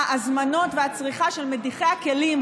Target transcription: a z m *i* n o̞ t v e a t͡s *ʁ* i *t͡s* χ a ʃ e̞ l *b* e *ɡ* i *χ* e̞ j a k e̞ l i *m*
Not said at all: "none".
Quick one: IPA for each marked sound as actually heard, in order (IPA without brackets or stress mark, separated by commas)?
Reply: a, ʁ, none, m, d, χ, m